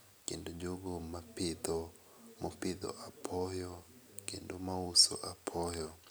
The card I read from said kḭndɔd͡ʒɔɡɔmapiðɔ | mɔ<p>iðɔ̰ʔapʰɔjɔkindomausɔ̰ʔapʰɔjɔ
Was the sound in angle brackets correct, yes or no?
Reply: yes